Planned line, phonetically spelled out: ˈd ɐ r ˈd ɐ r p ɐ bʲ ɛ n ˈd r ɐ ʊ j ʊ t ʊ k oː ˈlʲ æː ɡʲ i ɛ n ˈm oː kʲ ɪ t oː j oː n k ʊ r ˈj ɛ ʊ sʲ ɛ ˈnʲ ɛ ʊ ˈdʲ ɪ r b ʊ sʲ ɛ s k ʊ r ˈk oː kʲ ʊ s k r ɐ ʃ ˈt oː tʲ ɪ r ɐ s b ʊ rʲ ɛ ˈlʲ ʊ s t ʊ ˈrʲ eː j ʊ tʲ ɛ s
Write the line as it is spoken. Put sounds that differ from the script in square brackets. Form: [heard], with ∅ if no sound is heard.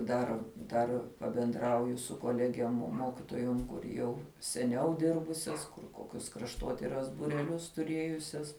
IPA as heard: ˈd ɐ r ˈd ɐ r p ɐ bʲ ɛ n ˈd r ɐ ʊ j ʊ [s] ʊ k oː ˈlʲ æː ɡʲ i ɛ [m] ˈm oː kʲ ɪ t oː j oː [m] k ʊ r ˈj ɛ ʊ sʲ ɛ ˈnʲ ɛ ʊ ˈdʲ ɪ r b ʊ sʲ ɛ s k ʊ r ˈk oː kʲ ʊ s k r ɐ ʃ ˈt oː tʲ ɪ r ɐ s b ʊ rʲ ɛ ˈlʲ ʊ s t ʊ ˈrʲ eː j ʊ [sʲ] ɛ s